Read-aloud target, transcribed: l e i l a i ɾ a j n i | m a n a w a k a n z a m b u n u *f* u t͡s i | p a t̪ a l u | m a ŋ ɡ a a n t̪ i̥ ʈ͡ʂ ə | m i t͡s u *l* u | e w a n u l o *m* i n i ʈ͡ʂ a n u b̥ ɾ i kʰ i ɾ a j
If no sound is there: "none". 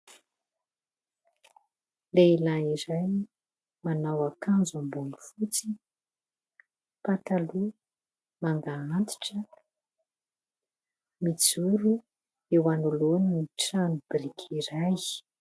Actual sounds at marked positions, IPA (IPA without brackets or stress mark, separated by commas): f, ɾ, n